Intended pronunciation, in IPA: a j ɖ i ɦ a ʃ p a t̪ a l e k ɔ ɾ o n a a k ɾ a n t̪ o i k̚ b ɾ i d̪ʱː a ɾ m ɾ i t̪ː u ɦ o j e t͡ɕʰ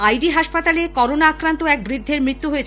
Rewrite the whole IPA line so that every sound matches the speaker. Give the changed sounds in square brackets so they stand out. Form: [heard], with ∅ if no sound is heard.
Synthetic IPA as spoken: a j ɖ i ɦ a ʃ p a t̪ a l e k ɔ ɾ o n a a k ɾ a n t̪ o [ɛ] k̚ b ɾ i d̪ʱː [e] ɾ m ɾ i t̪ː u ɦ o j e t͡ɕʰ